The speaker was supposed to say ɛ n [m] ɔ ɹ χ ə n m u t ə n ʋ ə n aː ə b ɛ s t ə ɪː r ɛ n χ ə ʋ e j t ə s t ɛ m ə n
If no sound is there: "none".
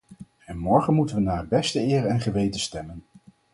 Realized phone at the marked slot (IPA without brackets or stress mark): m